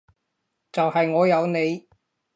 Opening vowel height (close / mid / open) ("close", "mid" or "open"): open